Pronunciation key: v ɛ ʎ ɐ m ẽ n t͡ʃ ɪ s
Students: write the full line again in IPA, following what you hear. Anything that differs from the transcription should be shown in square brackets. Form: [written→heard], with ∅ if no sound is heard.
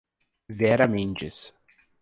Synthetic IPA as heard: v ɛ [ʎ→ɾ] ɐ m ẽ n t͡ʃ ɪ s